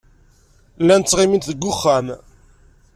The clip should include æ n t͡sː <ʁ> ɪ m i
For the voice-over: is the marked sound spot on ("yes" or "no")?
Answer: yes